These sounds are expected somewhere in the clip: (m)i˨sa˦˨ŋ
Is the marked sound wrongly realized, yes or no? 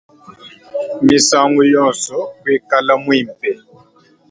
no